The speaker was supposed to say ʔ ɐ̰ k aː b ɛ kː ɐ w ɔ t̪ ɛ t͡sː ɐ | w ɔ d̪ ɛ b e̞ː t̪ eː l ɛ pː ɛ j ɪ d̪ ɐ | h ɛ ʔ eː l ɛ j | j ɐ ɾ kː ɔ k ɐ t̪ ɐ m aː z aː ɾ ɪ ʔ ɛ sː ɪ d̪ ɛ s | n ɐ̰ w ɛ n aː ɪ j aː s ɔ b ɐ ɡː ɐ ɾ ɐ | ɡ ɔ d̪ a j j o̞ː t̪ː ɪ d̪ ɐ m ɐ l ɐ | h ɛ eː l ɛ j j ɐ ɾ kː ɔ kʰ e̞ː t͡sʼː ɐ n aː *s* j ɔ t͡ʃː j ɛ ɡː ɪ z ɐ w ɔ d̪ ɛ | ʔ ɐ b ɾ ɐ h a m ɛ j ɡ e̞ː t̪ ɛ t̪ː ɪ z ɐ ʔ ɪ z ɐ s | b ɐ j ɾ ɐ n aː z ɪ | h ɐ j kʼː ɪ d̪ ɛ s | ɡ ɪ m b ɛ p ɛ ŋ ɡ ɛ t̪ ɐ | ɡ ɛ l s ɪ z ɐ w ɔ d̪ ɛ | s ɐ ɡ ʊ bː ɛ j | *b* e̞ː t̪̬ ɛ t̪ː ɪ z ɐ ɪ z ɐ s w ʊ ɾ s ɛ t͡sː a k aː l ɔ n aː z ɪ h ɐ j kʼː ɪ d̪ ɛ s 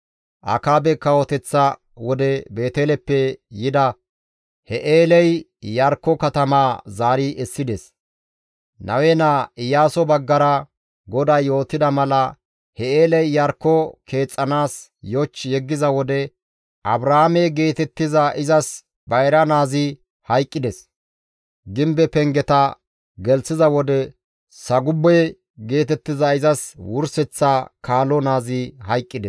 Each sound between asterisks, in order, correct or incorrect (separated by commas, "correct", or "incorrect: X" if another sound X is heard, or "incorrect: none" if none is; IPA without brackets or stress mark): correct, incorrect: ɡ